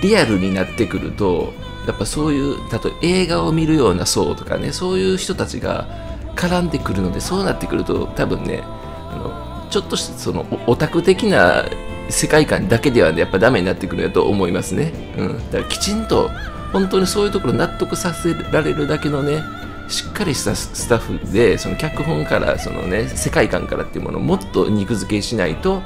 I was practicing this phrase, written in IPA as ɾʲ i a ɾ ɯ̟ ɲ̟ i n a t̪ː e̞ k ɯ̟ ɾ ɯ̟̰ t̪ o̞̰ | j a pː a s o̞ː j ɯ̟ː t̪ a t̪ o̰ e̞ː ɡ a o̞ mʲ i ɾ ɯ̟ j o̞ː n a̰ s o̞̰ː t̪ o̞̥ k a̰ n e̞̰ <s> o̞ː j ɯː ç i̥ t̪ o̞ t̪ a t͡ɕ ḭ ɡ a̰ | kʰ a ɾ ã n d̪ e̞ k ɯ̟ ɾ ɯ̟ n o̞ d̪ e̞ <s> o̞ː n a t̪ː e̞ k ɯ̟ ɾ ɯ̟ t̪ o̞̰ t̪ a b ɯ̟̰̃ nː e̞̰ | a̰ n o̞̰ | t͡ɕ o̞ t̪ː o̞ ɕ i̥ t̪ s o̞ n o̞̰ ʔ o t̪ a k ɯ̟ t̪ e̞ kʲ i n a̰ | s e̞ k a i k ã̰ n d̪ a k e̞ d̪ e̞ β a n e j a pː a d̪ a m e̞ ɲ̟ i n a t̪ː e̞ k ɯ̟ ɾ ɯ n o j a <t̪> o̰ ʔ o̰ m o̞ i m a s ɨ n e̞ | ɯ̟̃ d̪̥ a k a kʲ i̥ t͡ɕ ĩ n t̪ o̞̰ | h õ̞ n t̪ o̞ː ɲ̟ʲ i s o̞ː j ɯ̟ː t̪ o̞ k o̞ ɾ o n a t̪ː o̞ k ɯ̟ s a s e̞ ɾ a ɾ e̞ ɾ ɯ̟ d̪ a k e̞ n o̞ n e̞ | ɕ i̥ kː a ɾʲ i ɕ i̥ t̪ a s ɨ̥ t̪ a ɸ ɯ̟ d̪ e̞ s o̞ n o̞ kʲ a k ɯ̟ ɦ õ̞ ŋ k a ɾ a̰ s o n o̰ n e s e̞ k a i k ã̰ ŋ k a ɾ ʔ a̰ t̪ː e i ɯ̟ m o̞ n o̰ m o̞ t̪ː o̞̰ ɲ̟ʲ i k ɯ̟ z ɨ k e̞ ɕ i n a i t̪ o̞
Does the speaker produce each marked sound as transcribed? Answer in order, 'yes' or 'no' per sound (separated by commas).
yes, yes, yes